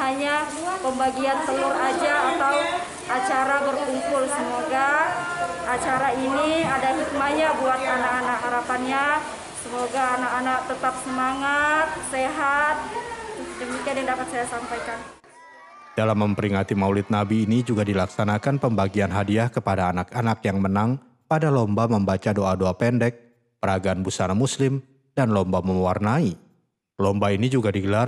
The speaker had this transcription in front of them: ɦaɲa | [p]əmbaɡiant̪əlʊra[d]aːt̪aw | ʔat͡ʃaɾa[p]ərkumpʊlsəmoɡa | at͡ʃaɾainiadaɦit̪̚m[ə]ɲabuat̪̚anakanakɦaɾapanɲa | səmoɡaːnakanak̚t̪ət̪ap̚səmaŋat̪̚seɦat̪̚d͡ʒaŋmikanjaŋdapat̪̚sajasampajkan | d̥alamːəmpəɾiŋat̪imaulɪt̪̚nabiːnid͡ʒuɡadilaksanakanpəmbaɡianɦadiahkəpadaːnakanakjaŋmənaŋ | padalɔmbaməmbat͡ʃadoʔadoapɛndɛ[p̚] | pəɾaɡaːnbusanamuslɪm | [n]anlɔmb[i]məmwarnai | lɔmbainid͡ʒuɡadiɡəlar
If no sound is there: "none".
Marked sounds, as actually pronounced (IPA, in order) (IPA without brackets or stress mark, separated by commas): p, d͡ʒ, b, a, k̚, d, a